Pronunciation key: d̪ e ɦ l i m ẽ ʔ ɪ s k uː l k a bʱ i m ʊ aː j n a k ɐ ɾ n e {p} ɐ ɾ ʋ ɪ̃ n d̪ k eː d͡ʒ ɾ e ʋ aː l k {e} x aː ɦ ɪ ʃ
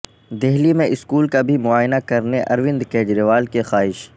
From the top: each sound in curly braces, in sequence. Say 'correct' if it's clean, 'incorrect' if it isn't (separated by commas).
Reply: incorrect, correct